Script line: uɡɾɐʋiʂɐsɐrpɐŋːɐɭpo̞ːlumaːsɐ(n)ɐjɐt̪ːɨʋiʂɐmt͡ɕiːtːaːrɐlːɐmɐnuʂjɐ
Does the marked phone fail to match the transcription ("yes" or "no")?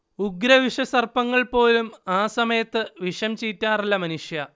yes